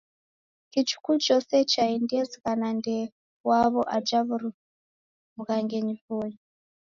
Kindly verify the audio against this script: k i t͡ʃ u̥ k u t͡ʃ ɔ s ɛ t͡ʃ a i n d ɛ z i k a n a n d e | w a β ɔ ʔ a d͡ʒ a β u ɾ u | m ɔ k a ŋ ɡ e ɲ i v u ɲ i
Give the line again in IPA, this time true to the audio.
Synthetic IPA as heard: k i t͡ʃ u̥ k u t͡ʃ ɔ s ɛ t͡ʃ a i n d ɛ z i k a n a n d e | w a β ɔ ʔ a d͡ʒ a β u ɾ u | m u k a ŋ ɡ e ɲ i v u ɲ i